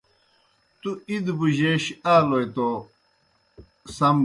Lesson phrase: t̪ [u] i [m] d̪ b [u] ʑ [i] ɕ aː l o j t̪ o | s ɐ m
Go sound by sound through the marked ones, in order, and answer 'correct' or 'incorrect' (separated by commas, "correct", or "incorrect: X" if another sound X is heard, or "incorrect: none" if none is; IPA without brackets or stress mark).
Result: correct, incorrect: none, correct, incorrect: e